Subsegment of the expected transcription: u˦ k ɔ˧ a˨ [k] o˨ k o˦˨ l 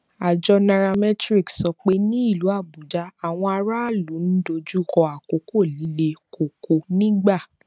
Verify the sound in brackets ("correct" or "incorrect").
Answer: correct